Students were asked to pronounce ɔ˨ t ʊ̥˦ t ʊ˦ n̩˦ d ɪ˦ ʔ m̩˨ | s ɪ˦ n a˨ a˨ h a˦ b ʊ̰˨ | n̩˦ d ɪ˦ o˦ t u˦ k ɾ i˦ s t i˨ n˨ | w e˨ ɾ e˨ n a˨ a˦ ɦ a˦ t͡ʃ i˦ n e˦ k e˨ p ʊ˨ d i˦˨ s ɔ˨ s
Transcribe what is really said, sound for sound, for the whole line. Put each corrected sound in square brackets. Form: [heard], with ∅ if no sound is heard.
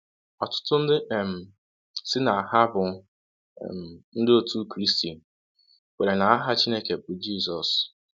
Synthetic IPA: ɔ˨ t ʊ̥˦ t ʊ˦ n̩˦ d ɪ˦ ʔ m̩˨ | s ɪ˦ n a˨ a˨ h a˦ b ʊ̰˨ | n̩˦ d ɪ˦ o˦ t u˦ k ɾ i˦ s t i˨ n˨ | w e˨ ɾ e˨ n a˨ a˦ ɦ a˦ t͡ʃ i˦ n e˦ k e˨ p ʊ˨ [d͡ʒ] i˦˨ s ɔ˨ s